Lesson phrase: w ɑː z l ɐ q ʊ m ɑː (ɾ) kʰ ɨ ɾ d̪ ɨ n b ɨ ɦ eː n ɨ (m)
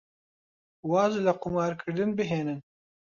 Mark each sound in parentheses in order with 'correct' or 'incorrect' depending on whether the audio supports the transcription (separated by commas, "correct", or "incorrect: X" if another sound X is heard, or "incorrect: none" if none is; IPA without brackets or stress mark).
correct, incorrect: n